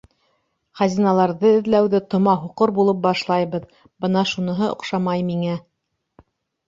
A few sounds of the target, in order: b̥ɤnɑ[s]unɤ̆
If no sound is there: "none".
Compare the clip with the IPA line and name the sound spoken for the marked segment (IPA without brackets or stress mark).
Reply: ʃ